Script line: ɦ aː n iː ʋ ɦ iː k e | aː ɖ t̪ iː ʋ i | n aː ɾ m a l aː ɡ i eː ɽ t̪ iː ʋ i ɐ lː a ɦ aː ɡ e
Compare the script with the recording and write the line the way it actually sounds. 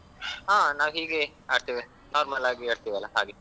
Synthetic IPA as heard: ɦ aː n aː ʋ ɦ iː ɡ e | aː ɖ t̪ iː ʋ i | n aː ɾ m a l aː ɡ i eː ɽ t̪ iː ʋ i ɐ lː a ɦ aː ɡ e